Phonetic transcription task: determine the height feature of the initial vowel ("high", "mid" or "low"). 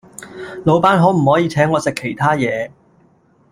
mid